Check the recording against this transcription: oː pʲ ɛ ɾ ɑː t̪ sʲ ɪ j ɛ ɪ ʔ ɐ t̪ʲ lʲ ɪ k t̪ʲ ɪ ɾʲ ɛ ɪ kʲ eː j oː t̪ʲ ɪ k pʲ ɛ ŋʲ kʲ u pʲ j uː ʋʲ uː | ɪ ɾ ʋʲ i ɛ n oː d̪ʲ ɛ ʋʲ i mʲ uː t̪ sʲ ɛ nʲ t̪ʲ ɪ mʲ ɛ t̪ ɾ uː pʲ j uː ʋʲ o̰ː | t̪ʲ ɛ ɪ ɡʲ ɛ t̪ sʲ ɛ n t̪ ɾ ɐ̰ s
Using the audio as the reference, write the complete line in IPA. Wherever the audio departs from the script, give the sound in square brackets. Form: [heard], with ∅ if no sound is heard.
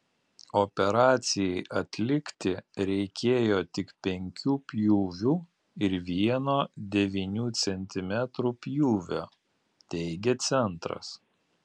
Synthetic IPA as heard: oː pʲ ɛ ɾ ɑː t̪ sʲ ɪ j ɛ ɪ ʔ ɐ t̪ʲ lʲ ɪ k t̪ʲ ɪ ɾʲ ɛ ɪ kʲ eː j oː t̪ʲ ɪ k pʲ ɛ ŋʲ kʲ [uː] pʲ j uː ʋʲ uː | ɪ ɾ ʋʲ i ɛ n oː d̪ʲ ɛ ʋʲ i [nʲ] uː t̪ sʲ ɛ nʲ t̪ʲ ɪ mʲ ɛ t̪ ɾ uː pʲ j uː ʋʲ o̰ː | t̪ʲ ɛ ɪ ɡʲ ɛ t̪ sʲ ɛ n t̪ ɾ ɐ̰ s

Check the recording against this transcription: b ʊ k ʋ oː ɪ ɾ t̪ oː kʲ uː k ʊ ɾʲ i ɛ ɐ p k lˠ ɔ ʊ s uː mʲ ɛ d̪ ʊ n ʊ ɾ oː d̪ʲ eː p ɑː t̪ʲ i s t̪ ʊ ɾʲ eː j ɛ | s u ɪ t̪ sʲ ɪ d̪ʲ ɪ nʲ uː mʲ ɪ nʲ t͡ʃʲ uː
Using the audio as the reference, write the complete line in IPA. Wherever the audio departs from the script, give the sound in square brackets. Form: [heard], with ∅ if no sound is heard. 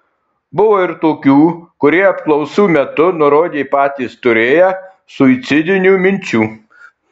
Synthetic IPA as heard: b ʊ [∅] ʋ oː ɪ ɾ t̪ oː kʲ uː k ʊ ɾʲ i ɛ ɐ p k lˠ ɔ ʊ s uː mʲ ɛ [t̪] ʊ n ʊ ɾ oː d̪ʲ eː p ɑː t̪ʲ i s t̪ ʊ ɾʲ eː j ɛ | s [ʊ] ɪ t̪ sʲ ɪ d̪ʲ ɪ nʲ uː mʲ ɪ nʲ t͡ʃʲ uː

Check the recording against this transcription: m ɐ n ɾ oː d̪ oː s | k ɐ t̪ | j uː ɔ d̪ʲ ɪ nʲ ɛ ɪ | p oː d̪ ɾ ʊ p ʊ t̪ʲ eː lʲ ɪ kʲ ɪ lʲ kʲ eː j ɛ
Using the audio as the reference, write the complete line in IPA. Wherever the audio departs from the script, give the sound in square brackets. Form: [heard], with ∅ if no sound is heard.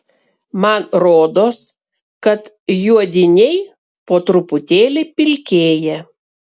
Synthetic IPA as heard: m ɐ n ɾ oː d̪ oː s | k ɐ t̪ | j [u] ɔ d̪ʲ ɪ nʲ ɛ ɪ | p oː [t̪] ɾ ʊ p ʊ t̪ʲ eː lʲ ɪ [pʲ] ɪ lʲ kʲ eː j ɛ

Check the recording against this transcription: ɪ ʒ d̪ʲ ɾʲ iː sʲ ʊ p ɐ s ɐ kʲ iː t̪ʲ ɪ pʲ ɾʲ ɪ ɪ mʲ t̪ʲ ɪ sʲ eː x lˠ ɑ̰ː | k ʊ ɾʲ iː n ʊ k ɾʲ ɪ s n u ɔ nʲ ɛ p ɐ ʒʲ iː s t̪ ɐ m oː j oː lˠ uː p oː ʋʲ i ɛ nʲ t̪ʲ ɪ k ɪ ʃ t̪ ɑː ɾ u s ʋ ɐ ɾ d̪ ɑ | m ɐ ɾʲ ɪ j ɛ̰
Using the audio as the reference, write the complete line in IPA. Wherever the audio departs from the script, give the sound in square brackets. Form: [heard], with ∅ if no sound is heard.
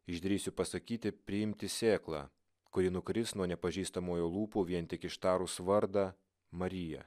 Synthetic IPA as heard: ɪ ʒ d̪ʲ ɾʲ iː sʲ ʊ p ɐ s ɐ kʲ iː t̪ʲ ɪ pʲ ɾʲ ɪ ɪ mʲ t̪ʲ ɪ sʲ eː [k] lˠ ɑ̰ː | k ʊ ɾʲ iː n ʊ k ɾʲ ɪ s n u ɔ nʲ ɛ p ɐ ʒʲ iː s t̪ ɐ m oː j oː lˠ uː p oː ʋʲ i ɛ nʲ t̪ʲ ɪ k ɪ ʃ t̪ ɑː ɾ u s ʋ ɐ ɾ d̪ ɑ | m ɐ ɾʲ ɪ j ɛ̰

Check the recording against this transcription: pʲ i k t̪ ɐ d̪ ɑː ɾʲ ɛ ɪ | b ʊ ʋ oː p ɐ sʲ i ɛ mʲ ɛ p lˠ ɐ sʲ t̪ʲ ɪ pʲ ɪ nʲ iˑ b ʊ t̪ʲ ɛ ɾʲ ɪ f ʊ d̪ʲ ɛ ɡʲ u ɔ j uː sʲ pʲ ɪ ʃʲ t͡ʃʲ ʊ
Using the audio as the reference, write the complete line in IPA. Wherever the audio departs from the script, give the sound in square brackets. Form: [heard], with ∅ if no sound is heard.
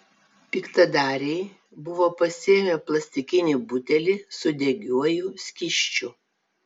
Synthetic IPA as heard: pʲ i k t̪ ɐ d̪ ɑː ɾʲ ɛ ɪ | b ʊ ʋ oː p ɐ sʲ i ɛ mʲ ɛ p lˠ ɐ sʲ t̪ʲ ɪ [kʲ] ɪ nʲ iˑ b ʊ t̪ʲ ɛ [lʲ] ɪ [s] ʊ d̪ʲ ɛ ɡʲ u ɔ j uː sʲ [kʲ] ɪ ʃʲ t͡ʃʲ ʊ

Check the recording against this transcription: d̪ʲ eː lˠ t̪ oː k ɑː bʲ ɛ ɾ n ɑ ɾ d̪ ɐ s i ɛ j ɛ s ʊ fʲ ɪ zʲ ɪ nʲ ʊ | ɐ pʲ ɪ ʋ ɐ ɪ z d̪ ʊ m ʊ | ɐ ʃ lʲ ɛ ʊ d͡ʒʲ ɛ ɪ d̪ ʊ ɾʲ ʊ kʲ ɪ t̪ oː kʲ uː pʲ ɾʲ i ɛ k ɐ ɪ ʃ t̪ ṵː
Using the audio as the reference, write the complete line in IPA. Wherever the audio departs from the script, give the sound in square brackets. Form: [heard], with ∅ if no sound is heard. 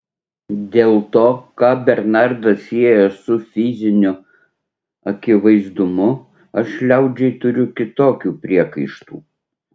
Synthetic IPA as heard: d̪ʲ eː lˠ t̪ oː k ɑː bʲ ɛ ɾ n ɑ ɾ d̪ ɐ s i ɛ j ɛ s ʊ fʲ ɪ zʲ ɪ nʲ ʊ | ɐ [kʲ] ɪ ʋ ɐ ɪ z d̪ ʊ m ʊ | ɐ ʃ lʲ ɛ ʊ d͡ʒʲ ɛ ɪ [t̪] ʊ ɾʲ ʊ kʲ ɪ t̪ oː kʲ uː pʲ ɾʲ i ɛ k ɐ ɪ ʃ t̪ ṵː

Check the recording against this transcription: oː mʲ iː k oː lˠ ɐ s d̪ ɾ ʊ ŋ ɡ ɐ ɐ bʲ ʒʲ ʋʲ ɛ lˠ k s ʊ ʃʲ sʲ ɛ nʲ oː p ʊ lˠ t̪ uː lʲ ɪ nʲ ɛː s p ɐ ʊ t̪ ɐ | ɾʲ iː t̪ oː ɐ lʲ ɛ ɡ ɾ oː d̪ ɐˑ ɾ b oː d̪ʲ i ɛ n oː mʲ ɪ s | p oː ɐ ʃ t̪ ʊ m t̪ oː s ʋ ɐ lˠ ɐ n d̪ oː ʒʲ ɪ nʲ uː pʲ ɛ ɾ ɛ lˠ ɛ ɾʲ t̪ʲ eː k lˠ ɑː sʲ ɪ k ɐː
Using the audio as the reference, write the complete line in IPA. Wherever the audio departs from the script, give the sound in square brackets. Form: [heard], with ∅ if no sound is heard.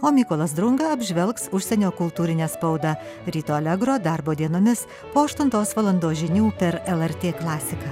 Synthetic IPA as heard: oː mʲ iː k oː lˠ ɐ s d̪ ɾ ʊ ŋ ɡ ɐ ɐ bʲ ʒʲ ʋʲ ɛ lˠ k s ʊ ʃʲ sʲ ɛ nʲ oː [k] ʊ lˠ t̪ uː [ɾʲ] ɪ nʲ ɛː s p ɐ ʊ [d̪] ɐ | ɾʲ iː t̪ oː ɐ lʲ ɛ ɡ ɾ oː d̪ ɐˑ ɾ b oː d̪ʲ i ɛ n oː mʲ ɪ s | p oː ɐ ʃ t̪ ʊ [n] t̪ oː s ʋ ɐ lˠ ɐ n d̪ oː ʒʲ ɪ nʲ uː pʲ ɛ ɾ ɛ lˠ ɛ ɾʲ t̪ʲ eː k lˠ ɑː sʲ ɪ k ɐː

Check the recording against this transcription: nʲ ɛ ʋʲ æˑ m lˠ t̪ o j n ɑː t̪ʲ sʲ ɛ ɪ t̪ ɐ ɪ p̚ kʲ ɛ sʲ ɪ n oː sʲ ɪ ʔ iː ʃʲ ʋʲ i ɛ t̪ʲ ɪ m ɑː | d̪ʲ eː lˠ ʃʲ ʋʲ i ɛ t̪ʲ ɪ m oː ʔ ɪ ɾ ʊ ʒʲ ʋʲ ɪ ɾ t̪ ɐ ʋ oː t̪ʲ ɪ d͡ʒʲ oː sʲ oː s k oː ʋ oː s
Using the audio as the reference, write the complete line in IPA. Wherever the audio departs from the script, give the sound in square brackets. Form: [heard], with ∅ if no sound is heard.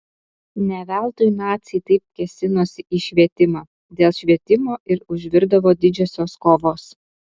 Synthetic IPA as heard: nʲ ɛ ʋʲ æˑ [∅] lˠ t̪ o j n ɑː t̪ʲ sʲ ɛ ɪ t̪ ɐ ɪ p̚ kʲ ɛ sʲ ɪ n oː sʲ ɪ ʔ iː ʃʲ ʋʲ i ɛ t̪ʲ ɪ m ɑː | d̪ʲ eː lˠ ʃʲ ʋʲ i ɛ t̪ʲ ɪ m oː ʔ ɪ ɾ ʊ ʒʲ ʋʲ ɪ ɾ [d̪] ɐ ʋ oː [d̪ʲ] ɪ d͡ʒʲ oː sʲ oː s k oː ʋ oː s

